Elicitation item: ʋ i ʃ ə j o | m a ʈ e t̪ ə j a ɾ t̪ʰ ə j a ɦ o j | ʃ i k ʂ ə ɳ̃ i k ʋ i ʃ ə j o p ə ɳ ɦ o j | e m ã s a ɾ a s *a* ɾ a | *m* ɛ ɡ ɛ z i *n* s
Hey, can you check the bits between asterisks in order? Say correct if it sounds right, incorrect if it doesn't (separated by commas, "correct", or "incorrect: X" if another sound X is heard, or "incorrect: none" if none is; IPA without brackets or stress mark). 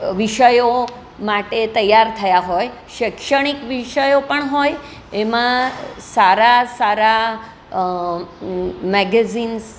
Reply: correct, correct, correct